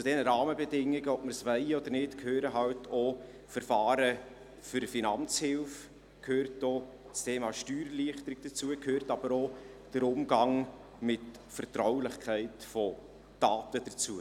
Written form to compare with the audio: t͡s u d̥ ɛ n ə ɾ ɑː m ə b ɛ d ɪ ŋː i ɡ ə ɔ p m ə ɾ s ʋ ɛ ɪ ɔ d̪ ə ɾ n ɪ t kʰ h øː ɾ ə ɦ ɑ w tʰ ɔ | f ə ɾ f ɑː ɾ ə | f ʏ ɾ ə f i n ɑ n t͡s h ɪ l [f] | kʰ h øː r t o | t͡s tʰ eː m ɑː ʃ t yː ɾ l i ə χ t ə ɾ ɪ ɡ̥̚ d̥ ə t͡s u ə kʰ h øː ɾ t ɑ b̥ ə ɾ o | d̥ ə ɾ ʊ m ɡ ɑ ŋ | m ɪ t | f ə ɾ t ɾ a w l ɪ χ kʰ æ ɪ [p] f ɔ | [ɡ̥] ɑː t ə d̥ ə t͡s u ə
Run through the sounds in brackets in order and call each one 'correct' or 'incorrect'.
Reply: correct, incorrect: t, incorrect: d̥

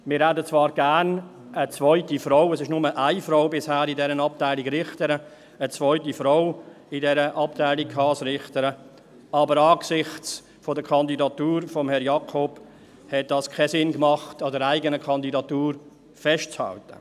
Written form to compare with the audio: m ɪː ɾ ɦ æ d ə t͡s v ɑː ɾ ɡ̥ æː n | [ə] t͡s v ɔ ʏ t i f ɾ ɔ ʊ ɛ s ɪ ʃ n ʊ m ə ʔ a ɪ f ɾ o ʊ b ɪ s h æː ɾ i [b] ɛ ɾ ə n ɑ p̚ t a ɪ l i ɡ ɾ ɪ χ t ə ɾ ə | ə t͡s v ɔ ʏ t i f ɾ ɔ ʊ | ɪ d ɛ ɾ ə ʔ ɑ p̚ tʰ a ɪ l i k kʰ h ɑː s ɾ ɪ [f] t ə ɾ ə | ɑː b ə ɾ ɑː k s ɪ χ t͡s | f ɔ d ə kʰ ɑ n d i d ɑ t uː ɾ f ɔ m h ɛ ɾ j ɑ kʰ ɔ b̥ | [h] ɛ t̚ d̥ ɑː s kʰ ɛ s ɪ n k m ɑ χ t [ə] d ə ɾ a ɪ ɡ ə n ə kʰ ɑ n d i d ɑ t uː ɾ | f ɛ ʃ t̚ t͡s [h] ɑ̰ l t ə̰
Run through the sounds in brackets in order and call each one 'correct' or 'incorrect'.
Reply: correct, incorrect: d, incorrect: χ, correct, incorrect: ɑ, correct

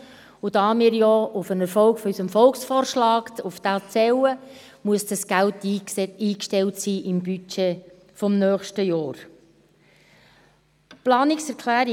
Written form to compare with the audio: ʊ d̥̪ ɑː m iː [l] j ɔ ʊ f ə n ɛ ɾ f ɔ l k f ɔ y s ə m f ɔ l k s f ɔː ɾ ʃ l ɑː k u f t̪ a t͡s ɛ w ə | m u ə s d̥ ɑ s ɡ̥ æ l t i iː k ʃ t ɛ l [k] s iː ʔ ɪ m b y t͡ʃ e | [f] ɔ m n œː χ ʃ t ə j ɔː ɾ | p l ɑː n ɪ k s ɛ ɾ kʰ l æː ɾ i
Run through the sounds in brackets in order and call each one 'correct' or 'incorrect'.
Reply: incorrect: ɾ, incorrect: t, correct

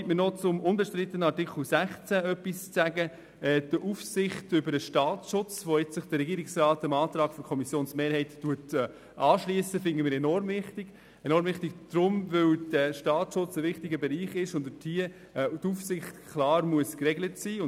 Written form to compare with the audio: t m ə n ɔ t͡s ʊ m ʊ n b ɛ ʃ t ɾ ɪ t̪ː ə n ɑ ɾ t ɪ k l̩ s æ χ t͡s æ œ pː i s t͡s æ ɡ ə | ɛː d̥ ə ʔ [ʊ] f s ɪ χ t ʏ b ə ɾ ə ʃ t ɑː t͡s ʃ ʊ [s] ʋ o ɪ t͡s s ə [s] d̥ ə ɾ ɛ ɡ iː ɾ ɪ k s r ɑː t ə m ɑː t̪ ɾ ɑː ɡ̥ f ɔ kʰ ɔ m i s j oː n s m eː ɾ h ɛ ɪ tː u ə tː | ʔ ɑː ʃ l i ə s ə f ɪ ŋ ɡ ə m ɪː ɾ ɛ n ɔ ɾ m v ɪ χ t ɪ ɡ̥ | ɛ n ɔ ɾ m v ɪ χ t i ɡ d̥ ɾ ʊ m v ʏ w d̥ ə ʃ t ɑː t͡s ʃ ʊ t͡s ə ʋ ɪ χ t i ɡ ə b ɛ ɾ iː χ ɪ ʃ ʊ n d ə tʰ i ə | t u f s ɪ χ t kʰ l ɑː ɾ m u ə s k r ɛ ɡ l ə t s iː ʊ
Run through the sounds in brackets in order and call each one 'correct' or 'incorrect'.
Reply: incorrect: u, incorrect: t͡s, incorrect: χ

